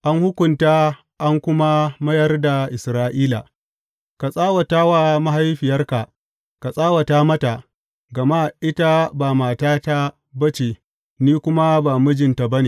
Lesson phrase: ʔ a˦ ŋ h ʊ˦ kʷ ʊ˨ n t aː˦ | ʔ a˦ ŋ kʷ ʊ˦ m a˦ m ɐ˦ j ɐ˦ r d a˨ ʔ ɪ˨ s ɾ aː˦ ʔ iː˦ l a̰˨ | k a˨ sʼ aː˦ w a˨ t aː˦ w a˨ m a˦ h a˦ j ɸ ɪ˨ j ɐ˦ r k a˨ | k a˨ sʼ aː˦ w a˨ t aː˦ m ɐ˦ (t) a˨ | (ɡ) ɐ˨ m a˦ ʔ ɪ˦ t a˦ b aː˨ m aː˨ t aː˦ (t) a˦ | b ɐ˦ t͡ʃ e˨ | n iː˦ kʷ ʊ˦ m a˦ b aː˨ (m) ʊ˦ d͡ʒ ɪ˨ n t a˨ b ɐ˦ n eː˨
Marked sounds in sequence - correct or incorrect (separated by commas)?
correct, correct, correct, correct